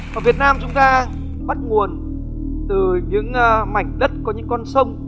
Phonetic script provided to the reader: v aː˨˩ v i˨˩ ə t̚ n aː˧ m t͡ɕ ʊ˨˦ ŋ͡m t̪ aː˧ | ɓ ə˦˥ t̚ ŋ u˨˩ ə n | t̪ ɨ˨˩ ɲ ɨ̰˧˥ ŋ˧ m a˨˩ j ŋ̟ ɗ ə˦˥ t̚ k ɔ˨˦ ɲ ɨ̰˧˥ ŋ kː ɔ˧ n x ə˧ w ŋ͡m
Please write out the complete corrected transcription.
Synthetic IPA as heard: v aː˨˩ v i˨˩ ə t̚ n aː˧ m t͡ɕ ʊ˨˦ ŋ͡m t̪ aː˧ | ɓ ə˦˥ t̚ ŋ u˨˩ ə n | t̪ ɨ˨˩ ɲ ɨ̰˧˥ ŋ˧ m a˨˩ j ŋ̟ ɗ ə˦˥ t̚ k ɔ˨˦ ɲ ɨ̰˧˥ ŋ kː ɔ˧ n s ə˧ w ŋ͡m

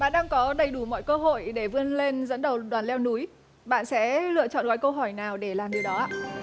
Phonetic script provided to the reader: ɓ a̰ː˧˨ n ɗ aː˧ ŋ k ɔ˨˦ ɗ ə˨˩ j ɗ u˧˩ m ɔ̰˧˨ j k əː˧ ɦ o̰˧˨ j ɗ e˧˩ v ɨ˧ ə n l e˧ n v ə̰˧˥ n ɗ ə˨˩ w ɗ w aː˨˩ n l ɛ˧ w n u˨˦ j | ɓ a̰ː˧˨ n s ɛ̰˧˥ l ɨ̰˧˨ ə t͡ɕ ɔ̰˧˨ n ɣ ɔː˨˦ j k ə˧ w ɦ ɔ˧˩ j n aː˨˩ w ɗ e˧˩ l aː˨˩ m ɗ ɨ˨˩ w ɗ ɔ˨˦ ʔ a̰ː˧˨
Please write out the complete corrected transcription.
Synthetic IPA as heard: ɓ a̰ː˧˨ n ɗ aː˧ ŋ k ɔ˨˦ ɗ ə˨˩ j ɗ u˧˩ m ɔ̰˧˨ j k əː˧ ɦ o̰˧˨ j ɗ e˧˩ v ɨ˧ ə n l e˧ n z ə̰˧˥ n ɗ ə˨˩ w ɗ w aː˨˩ n l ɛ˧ w n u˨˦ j | ɓ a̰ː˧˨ n s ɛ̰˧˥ l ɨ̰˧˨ ə t͡ɕ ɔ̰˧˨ n ɣ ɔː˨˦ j k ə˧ w ɦ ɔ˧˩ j n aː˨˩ w ɗ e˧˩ l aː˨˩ m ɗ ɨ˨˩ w ɗ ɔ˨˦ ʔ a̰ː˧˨

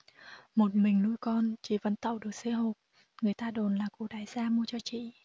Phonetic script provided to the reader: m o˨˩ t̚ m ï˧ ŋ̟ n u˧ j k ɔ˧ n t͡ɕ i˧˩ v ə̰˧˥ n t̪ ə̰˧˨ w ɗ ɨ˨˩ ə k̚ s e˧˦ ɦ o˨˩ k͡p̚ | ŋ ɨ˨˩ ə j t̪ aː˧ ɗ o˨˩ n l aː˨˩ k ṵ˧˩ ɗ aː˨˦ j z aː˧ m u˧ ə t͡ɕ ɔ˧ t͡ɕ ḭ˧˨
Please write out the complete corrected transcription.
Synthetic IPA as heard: m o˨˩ t̚ m ï˨˩ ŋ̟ n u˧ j k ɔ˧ n t͡ɕ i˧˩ v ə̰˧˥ n t̪ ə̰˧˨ w ɗ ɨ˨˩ ə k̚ s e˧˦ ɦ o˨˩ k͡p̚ | ŋ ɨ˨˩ ə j t̪ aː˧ ɗ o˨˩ n l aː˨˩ k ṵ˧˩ ɗ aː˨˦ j z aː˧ m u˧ ə t͡ɕ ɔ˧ t͡ɕ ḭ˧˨

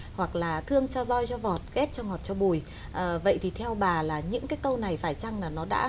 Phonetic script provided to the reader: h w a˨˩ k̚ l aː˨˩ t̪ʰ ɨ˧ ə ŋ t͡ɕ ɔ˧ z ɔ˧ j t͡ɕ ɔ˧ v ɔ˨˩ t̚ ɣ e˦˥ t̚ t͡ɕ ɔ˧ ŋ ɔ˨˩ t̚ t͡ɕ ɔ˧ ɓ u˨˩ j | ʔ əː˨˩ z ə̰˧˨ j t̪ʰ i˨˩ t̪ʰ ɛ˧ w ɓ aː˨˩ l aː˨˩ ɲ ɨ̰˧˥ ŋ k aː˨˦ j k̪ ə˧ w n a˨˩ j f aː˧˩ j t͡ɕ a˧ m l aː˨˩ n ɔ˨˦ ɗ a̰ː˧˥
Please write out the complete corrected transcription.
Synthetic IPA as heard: h w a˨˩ k̚ l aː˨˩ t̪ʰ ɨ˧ ə ŋ t͡ɕ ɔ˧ z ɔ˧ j t͡ɕ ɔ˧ v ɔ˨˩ t̚ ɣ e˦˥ t̚ t͡ɕ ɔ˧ ŋ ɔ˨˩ t̚ t͡ɕ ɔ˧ ɓ u˨˩ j | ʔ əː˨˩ v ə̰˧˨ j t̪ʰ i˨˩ t̪ʰ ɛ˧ w ɓ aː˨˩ l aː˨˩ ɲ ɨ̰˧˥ ŋ k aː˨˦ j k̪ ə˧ w n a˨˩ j f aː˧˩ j t͡ɕ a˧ ŋ l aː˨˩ n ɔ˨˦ ɗ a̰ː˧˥

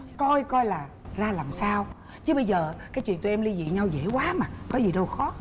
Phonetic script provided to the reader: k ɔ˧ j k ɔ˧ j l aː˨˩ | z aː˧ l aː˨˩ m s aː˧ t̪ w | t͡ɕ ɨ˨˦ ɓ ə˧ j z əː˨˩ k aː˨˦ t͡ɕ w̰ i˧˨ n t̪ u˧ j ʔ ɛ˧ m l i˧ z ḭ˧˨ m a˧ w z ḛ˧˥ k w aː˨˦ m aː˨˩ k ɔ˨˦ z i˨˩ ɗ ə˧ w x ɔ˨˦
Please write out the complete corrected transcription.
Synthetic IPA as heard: k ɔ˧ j k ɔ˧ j l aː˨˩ | z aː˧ l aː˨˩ m s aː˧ w | t͡ɕ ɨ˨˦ ɓ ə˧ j z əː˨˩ k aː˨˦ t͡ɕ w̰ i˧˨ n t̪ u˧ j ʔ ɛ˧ m l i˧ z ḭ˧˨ ɲ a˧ w z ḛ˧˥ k w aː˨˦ m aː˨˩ k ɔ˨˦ z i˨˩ ɗ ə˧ w x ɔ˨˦

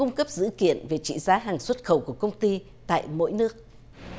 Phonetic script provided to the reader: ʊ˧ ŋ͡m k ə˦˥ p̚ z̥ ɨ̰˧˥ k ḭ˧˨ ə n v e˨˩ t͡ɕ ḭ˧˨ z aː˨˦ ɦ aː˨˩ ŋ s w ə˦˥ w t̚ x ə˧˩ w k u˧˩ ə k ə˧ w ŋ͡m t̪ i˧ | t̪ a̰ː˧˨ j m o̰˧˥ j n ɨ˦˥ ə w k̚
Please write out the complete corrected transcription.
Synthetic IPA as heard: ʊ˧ ŋ͡m k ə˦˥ p̚ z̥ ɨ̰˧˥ k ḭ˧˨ ə n v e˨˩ t͡ɕ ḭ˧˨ z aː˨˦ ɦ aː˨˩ ŋ s w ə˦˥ t̚ x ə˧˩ w k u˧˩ ə k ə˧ w ŋ͡m t̪ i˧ | t̪ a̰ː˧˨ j m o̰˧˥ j n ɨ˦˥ ə k̚

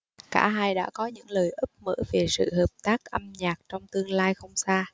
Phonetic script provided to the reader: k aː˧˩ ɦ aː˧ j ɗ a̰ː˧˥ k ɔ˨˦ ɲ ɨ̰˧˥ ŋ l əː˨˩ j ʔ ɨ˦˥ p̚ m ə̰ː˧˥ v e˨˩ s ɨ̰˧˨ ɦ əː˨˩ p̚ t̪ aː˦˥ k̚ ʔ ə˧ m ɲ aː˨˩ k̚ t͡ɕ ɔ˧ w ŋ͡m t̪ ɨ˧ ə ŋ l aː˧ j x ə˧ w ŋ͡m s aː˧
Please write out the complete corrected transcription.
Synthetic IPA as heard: k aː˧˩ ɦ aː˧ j ɗ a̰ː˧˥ k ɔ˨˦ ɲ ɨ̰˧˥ ŋ l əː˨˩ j ʔ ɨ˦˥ p̚ m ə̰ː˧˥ v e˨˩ s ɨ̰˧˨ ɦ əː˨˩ p̚ t̪ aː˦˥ k̚ ʔ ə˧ m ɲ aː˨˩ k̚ t͡ɕ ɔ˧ w ŋ͡m t̪ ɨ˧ ə ŋ l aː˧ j x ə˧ w ŋ͡m s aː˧

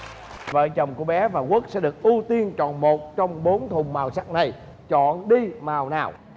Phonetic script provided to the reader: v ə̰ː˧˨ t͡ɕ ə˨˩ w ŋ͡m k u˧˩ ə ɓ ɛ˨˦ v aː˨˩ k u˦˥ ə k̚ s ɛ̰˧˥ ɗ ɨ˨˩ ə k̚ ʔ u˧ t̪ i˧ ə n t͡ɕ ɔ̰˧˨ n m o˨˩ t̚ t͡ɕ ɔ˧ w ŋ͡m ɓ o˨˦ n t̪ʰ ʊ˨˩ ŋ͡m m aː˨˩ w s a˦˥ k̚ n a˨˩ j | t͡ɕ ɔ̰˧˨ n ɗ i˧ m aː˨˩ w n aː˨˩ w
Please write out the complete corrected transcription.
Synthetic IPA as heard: v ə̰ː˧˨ t͡ɕ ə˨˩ w ŋ͡m k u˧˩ ə ɓ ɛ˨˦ v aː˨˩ k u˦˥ ə k̚ s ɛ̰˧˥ ɗ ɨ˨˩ ə k̚ ʔ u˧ t̪ i˧ ə n t͡ɕ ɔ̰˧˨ n m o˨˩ t̚ t͡ɕ ɔ˧ w ŋ͡m ɓ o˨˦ n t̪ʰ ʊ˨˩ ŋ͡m m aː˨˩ w s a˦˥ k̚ n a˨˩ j | t͡ɕ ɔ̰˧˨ n ɗ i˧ m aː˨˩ w n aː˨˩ w

